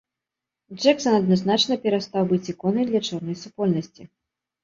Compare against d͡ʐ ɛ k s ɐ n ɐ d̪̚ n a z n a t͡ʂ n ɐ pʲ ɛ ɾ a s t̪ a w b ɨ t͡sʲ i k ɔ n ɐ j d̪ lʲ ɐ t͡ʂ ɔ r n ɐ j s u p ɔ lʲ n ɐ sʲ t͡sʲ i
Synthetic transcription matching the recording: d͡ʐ ɛ k s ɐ n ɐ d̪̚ n a z n a t͡ʂ n ɐ pʲ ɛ ɾ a s t̪ a w b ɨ t͡sʲ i k ɔ n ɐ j d̪ lʲ ɐ t͡ʂ ɔ r n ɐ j s u p ɔ lʲ n ɐ sʲ t͡sʲ i